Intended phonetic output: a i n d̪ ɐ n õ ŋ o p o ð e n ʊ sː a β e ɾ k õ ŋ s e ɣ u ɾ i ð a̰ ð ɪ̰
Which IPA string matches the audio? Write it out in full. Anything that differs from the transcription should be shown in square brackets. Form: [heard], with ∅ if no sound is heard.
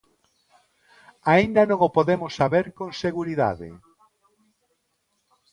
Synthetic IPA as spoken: a i n d̪ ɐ n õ ŋ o p o ð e [m] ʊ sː a β e ɾ k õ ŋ s e ɣ u ɾ i ð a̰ ð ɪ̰